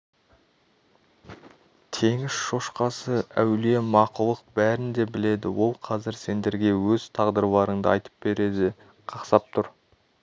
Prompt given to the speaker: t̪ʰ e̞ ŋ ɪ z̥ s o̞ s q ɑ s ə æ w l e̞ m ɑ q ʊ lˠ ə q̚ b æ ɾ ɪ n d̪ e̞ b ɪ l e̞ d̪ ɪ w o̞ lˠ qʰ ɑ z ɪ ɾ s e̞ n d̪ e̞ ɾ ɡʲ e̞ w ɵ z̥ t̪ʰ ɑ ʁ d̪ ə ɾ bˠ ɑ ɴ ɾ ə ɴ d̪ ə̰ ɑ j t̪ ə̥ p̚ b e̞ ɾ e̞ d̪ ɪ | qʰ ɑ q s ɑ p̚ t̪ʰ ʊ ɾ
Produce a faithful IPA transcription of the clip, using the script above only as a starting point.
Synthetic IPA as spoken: t̪ʰ e̞ ŋ ɪ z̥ ʃ o̞ ʃ q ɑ s ə æ w l e̞ m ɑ q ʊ lˠ ə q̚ b æ ɾ ɪ n d̪ e̞ b ɪ l e̞ d̪ ɪ w o̞ lˠ qʰ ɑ z ɪ ɾ s e̞ n d̪ e̞ ɾ ɡʲ e̞ w ɵ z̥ t̪ʰ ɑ ʁ d̪ ə ɾ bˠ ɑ ɾ ə ɴ d̪ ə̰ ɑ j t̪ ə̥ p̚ b e̞ ɾ e̞ d̪ ɪ | qʰ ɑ q s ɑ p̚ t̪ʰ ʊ ɾ